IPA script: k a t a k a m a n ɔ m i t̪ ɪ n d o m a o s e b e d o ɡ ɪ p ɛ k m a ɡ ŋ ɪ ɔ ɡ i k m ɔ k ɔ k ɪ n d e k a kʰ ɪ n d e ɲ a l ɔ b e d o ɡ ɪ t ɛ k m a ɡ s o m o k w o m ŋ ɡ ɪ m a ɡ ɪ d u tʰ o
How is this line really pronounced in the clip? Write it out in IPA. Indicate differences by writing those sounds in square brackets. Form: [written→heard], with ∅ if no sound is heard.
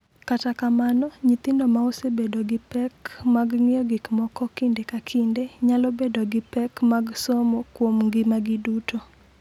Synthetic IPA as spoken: k a t a k a m a n ɔ [m→ɲ] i t̪ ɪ n d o m a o s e b e d o ɡ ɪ p ɛ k m a ɡ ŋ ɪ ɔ ɡ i k m ɔ k ɔ k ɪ n d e k a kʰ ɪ n d e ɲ a l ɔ b e d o ɡ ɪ [t→p] ɛ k m a ɡ s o m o k w o m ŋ ɡ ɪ m a ɡ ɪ d u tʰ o